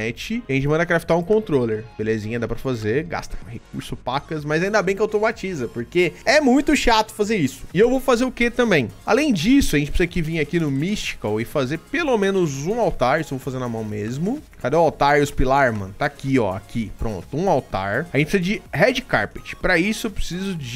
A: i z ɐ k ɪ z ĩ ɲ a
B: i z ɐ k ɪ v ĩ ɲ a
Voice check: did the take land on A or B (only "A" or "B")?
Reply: B